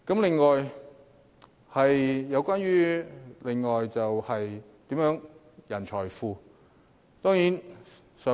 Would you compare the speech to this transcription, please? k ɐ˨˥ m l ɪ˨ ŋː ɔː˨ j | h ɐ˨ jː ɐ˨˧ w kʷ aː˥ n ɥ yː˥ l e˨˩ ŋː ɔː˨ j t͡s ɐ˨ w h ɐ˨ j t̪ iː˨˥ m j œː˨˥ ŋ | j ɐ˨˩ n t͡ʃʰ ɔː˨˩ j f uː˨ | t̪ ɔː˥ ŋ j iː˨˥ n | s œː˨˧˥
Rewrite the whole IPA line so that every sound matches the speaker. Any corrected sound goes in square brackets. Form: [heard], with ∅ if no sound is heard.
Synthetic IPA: k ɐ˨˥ m l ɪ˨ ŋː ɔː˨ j | h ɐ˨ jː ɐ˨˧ w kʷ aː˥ n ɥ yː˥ l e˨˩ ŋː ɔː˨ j t͡s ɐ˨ w h ɐ˨ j t̪ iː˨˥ m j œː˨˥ ŋ | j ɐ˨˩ n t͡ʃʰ ɔː˨˩ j f uː˨ | t̪ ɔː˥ ŋ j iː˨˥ n | s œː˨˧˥

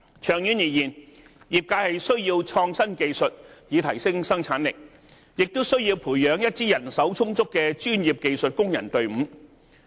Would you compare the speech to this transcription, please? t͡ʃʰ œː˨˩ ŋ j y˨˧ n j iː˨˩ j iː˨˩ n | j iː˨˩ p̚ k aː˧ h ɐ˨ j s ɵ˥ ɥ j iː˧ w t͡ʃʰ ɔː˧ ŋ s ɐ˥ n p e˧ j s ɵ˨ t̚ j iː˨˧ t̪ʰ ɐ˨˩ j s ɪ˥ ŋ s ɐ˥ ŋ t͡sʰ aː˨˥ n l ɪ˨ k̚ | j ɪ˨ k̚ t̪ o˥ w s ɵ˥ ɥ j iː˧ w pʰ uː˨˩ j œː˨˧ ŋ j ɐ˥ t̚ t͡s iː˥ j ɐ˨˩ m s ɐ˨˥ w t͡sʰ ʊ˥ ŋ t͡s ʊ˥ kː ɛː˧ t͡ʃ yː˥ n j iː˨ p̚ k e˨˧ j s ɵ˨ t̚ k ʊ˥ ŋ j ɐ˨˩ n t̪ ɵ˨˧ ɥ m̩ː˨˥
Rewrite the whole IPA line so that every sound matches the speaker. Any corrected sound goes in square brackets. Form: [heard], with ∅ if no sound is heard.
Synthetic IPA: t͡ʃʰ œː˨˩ ŋ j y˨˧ n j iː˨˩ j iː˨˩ n | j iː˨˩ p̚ k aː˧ h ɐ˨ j s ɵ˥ ɥ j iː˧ w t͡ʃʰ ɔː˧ ŋ s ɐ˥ n [k] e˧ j s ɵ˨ t̚ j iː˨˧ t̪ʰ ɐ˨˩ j s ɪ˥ ŋ s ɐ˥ ŋ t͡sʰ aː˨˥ n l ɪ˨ k̚ | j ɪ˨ k̚ t̪ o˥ w s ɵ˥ ɥ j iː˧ w pʰ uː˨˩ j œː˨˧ ŋ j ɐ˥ t̚ t͡s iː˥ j ɐ˨˩ [n] s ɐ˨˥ w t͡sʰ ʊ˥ ŋ t͡s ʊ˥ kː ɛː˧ t͡ʃ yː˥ n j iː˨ p̚ k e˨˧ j s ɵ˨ t̚ k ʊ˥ ŋ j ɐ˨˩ n t̪ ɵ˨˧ ɥ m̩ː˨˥

